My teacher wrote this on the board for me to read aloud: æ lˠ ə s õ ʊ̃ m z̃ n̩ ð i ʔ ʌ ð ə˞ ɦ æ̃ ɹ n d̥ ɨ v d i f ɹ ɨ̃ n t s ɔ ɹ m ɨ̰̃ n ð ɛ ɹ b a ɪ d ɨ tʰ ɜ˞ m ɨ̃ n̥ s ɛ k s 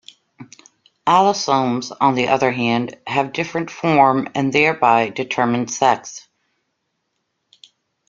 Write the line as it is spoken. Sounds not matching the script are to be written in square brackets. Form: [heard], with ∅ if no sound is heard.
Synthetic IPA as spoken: æ lˠ ə s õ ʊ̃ m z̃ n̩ ð i ʔ ʌ ð ə˞ ɦ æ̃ [∅] n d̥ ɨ v d [ɪ] f ɹ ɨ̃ n t [f] ɔ ɹ m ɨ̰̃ n ð ɛ ɹ b a ɪ d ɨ tʰ ɜ˞ m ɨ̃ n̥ s ɛ k s